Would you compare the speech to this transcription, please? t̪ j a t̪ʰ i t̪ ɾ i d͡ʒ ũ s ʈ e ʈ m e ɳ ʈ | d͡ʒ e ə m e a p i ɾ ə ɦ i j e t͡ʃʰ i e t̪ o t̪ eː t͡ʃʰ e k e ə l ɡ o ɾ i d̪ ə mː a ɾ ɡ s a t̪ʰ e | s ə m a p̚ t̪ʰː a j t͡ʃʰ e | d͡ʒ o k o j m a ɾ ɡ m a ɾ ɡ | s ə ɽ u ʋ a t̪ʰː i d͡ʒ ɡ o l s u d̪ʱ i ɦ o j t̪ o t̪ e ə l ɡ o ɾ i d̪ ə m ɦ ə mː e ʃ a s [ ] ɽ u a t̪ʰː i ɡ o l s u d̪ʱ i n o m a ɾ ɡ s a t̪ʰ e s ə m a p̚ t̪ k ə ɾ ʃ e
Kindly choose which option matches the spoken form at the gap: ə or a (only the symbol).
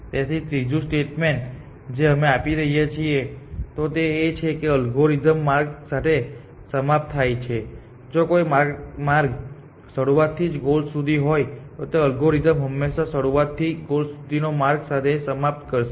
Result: ə